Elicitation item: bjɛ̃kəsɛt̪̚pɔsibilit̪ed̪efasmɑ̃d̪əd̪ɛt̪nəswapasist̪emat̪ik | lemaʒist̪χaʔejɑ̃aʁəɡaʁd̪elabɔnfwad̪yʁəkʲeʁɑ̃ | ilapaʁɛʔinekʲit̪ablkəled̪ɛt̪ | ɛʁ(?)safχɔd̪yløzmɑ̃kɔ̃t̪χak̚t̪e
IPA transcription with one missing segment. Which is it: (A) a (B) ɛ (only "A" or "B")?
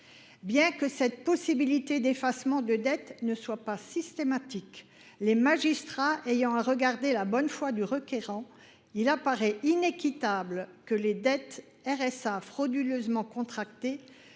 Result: B